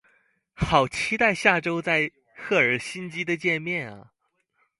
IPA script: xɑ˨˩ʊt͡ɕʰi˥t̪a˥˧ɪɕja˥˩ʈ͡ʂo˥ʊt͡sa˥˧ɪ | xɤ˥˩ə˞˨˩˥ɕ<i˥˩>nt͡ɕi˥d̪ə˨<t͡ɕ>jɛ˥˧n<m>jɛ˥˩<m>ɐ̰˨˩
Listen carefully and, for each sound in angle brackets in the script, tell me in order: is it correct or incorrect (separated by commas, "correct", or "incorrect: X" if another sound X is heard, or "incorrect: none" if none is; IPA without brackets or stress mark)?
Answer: incorrect: i˥, correct, correct, incorrect: n